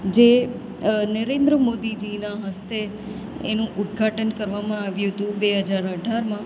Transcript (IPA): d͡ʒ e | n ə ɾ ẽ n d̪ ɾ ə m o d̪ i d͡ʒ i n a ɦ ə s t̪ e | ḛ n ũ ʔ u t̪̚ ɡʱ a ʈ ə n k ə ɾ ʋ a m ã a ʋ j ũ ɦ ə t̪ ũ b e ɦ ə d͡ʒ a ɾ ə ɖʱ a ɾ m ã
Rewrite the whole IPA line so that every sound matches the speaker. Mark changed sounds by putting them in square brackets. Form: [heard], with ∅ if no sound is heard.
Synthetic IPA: d͡ʒ e | n ə ɾ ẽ n d̪ ɾ ə m o d̪ i d͡ʒ i n a ɦ ə s t̪ e | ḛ n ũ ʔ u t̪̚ ɡʱ a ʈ ə n k ə ɾ ʋ a m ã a ʋ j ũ ɦ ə t̪ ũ b e ɦ ə d͡ʒ a ɾ ə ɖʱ a ɾ m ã